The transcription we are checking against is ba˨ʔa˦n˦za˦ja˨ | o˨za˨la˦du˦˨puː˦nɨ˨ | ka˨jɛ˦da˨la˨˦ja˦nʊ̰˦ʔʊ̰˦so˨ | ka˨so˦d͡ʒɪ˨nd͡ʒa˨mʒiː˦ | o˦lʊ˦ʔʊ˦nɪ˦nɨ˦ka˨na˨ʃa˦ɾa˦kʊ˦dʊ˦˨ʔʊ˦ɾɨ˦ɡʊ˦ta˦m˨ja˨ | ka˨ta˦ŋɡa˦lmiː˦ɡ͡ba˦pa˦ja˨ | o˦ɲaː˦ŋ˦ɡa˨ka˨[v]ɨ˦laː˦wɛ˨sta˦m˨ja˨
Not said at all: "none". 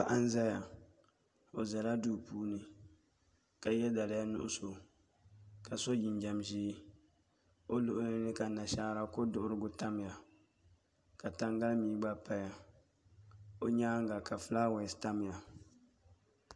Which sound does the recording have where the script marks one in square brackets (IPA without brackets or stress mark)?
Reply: f